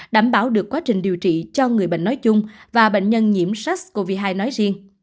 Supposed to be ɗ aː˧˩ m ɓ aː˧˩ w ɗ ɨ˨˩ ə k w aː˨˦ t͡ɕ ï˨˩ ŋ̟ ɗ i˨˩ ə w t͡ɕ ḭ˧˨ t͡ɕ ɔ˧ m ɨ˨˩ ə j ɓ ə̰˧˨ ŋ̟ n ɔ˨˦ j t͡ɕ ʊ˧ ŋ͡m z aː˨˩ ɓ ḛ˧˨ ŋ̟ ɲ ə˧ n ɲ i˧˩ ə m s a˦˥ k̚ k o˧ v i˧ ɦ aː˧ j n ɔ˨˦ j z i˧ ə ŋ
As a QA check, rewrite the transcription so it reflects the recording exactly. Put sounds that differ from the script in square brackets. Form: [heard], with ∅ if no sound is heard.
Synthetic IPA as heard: ɗ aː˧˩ m ɓ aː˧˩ w ɗ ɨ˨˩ ə k w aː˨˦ t͡ɕ ï˨˩ ŋ̟ ɗ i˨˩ ə w t͡ɕ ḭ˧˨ t͡ɕ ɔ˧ [ŋ] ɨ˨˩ ə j ɓ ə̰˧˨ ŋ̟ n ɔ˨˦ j t͡ɕ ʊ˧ ŋ͡m [v] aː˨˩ ɓ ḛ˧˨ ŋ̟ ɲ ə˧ n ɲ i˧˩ ə m s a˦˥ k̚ k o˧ v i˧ ɦ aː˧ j n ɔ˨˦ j z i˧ ə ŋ